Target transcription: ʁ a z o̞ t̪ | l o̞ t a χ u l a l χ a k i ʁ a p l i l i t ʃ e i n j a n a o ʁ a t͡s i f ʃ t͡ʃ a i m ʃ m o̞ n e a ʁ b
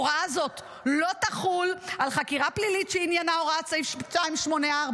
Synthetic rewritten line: ʁ a z o̞ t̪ | l o̞ t a χ u l a l χ a k i ʁ a p l i l i t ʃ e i n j a n a o ʁ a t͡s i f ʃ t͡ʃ a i m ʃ m o̞ n e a ʁ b